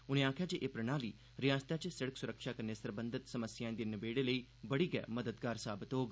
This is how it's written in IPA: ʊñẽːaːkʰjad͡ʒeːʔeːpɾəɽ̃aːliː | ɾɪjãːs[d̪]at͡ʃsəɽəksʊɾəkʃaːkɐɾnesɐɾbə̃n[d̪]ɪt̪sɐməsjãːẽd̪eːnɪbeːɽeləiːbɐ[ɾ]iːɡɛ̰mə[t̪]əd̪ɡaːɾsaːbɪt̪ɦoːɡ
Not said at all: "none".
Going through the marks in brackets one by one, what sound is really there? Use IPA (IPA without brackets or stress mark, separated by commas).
t̪, d̪, ɽ, d̪